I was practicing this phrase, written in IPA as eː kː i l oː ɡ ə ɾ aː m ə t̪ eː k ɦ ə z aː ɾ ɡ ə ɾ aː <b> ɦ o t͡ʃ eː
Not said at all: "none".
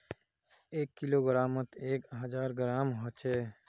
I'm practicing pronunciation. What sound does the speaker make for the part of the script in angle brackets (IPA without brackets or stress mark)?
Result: m